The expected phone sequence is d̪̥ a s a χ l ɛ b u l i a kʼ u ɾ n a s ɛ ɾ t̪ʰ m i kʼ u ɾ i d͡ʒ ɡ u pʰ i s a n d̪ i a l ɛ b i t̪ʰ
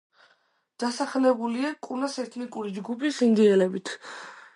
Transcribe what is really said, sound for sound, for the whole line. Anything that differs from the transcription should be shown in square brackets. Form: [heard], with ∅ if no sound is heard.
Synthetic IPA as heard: d̪̥ a s a χ l ɛ b u l i a kʼ u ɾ n a s ɛ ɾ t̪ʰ [n] i kʼ u ɾ i d͡ʒ ɡ u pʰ i s [i] n d̪ i [ɛ] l ɛ b i t̪ʰ